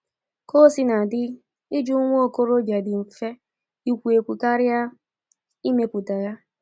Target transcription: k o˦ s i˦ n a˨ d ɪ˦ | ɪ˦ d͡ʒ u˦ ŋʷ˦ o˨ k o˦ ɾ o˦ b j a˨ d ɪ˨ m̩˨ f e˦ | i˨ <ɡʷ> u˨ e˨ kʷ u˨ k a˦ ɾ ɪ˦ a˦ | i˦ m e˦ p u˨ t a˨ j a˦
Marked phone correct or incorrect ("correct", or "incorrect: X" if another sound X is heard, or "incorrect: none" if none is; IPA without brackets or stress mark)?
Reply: incorrect: kʷ